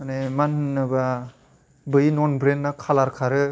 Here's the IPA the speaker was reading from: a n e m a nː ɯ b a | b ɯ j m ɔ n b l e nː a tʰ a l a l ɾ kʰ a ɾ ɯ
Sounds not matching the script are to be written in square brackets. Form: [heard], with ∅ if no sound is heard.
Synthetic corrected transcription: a n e m a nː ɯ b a | b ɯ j [n] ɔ n b [ɾ] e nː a [kʰ] a l a [∅] ɾ kʰ a ɾ ɯ

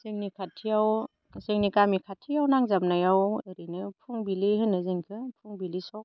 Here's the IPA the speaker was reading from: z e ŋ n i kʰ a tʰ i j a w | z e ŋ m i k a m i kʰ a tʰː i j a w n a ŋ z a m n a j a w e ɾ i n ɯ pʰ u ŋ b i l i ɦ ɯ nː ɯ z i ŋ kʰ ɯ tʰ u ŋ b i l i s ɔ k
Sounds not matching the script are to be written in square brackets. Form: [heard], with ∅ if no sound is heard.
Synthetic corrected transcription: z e ŋ n i kʰ a tʰ i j a w | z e ŋ [n] i k a m i kʰ a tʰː i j a w n a ŋ z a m n a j a w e ɾ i n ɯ pʰ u ŋ b i l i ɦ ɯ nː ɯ z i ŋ kʰ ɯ [pʰ] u ŋ b i l i s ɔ k

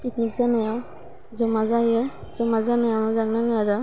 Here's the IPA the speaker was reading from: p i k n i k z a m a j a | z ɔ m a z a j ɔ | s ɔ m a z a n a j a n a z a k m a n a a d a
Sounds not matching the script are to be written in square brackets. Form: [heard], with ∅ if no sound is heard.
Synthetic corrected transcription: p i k n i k z a [n] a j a | z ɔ m a z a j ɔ | [z] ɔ m a z a n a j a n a z a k [n] a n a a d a

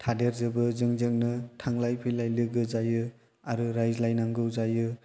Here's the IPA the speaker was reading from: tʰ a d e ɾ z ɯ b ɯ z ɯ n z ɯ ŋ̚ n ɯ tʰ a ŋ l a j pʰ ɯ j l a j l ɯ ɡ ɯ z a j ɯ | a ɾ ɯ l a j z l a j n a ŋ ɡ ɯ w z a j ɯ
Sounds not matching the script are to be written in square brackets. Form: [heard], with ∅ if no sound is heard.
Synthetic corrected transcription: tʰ a d e ɾ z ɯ b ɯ z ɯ [ŋ] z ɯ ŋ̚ n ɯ tʰ a ŋ l a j pʰ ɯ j l a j l ɯ ɡ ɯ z a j ɯ | a ɾ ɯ [ɾ] a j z l a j n a ŋ ɡ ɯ w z a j ɯ

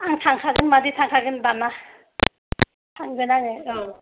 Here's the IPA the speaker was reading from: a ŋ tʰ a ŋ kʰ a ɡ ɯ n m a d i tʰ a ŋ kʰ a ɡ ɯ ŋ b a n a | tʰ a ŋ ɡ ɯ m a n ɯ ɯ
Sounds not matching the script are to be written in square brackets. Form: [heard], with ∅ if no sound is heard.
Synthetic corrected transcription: a ŋ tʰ a ŋ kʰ a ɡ ɯ n m a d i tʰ a ŋ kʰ a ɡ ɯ [n] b a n a | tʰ a ŋ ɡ ɯ [n] a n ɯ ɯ

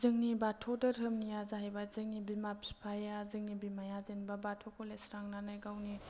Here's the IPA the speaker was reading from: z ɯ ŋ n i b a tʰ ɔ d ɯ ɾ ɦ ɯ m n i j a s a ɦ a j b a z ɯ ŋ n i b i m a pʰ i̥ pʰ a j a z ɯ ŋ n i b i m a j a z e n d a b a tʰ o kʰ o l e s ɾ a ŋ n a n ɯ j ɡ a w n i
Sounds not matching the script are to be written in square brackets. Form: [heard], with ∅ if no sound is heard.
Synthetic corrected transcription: z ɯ ŋ n i b a tʰ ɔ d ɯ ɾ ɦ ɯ m n i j a [z] a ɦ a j b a z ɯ ŋ n i b i m a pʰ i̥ pʰ a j a z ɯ ŋ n i b i m a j a z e n [b] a b a tʰ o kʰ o l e s ɾ a ŋ n a n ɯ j ɡ a w n i

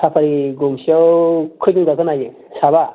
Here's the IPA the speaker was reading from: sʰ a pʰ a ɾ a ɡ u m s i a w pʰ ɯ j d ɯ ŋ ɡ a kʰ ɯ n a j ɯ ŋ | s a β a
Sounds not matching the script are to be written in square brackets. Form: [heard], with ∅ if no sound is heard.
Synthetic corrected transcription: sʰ a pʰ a ɾ [i] ɡ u m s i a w [kʰ] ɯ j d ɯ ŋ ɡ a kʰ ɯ n a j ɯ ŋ | s a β a

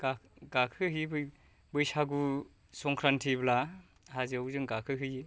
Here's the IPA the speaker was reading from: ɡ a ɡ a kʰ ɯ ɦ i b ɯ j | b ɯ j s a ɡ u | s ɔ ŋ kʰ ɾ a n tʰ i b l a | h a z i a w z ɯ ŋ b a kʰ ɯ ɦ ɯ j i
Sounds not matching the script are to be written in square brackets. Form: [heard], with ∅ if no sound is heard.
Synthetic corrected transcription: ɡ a ɡ a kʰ ɯ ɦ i b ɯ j | b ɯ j s a ɡ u | s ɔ ŋ kʰ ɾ a n tʰ i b l a | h a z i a w z ɯ ŋ [ɡ] a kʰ ɯ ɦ ɯ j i

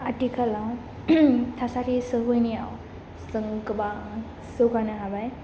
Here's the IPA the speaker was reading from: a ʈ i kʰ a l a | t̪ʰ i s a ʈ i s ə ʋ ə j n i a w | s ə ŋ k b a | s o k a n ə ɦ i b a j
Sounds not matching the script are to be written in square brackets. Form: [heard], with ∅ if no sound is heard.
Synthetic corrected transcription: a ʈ i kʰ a l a | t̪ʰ [a] s a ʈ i s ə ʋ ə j n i a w | s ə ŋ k b a | s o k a n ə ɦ [a] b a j

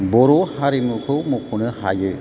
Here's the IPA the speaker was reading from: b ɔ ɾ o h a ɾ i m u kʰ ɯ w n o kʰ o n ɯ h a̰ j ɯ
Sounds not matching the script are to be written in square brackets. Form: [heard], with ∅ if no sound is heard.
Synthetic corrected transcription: b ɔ ɾ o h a ɾ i m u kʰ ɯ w [m] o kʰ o n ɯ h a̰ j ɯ

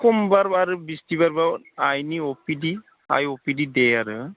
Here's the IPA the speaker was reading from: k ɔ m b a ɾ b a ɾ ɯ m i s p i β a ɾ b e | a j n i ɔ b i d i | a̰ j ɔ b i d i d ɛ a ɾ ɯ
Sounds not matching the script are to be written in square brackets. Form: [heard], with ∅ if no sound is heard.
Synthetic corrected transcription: k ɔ m b a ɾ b a ɾ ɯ [b] i s [t] i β a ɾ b [a] | a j n i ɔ [p] i d i | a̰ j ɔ [p] i d i d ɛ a ɾ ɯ

